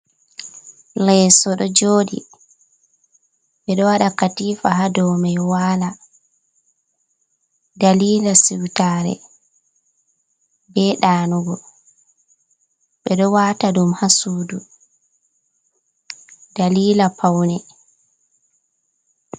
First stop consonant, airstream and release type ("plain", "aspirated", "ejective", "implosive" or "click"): implosive